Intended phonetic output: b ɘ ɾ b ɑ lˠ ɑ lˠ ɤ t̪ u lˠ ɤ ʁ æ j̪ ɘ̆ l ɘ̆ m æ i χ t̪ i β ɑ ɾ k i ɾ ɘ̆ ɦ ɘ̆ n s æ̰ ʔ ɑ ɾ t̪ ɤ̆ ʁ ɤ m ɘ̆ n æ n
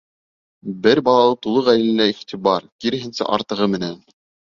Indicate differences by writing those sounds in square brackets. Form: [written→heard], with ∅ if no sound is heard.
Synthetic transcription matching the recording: b ɘ ɾ b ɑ lˠ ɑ lˠ ɤ t̪ u lˠ ɤ ʁ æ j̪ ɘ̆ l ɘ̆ [m→n] æ i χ t̪ i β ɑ ɾ k i ɾ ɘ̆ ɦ ɘ̆ n s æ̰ ʔ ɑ ɾ t̪ ɤ̆ ʁ ɤ m ɘ̆ n æ n